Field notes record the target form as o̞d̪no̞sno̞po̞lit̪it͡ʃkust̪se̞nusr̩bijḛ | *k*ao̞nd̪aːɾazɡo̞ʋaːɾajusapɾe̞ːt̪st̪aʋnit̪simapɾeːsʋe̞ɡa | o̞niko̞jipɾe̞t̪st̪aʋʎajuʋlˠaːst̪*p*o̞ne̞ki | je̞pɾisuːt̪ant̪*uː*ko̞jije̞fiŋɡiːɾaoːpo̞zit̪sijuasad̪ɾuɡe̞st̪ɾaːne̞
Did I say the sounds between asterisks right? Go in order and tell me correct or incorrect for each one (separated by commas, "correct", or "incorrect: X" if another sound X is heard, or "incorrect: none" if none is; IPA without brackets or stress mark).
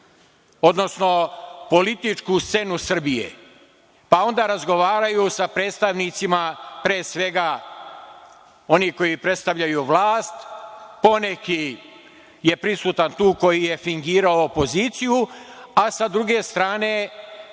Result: incorrect: p, correct, correct